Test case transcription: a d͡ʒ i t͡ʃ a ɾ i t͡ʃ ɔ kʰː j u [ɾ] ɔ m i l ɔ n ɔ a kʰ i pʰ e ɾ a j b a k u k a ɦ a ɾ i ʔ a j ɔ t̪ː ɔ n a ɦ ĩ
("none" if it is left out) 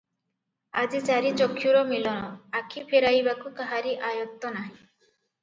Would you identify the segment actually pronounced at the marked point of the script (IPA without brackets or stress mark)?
ɾ